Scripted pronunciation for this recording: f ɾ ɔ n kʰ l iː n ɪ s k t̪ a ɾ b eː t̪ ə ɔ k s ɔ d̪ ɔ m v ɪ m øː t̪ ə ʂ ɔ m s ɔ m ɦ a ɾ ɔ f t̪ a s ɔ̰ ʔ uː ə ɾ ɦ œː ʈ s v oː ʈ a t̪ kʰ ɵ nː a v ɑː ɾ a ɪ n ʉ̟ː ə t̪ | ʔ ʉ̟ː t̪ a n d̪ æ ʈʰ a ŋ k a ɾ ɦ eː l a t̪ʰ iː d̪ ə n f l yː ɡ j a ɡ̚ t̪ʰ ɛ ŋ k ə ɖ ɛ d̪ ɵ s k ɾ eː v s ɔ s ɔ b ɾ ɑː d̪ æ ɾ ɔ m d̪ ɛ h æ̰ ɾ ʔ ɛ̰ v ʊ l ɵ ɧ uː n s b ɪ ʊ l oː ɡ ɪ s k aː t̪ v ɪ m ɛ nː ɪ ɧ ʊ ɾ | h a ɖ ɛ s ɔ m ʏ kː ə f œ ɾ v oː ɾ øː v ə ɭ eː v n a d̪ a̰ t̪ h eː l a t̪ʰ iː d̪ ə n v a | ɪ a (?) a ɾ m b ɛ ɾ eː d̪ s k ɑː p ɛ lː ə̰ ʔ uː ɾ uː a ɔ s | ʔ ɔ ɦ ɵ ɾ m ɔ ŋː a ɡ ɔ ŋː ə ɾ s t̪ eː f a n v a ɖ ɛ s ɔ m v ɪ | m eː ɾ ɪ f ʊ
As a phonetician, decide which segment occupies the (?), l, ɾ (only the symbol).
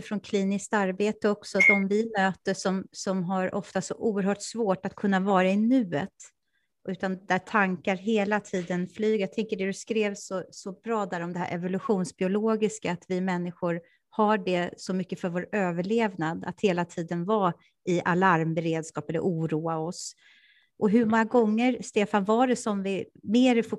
l